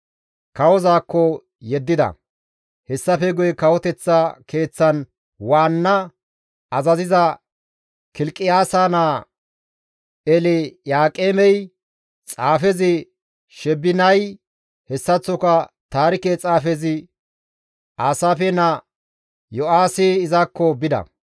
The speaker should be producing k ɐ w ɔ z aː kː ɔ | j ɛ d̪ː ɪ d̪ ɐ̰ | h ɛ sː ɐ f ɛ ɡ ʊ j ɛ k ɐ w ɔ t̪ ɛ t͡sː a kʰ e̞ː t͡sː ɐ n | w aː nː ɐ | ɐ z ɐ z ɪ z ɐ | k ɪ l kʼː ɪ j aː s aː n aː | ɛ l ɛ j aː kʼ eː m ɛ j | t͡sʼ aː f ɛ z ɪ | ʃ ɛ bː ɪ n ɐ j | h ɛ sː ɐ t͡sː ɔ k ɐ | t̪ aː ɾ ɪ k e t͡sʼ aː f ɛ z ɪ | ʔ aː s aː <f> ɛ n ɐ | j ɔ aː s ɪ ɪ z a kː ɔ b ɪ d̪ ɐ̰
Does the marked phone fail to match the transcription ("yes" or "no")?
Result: no